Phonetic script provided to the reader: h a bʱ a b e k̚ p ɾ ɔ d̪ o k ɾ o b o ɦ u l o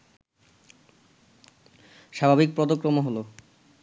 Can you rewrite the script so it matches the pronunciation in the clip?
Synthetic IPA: ʃ a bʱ a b i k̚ p ɾ ɔ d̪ o k ɾ o m o ɦ o l o